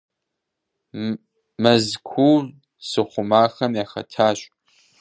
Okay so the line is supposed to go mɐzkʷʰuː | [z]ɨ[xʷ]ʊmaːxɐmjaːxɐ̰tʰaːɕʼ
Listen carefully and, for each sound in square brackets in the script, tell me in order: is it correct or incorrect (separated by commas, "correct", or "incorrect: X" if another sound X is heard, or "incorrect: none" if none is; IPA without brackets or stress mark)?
incorrect: s, incorrect: χʷ